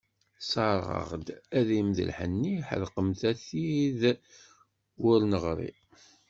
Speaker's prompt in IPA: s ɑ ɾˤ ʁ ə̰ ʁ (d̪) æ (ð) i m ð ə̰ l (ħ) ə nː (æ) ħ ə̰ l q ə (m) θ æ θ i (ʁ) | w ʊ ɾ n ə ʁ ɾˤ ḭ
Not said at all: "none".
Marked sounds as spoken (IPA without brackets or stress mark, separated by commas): d̪, ð, ħ, i, m, ð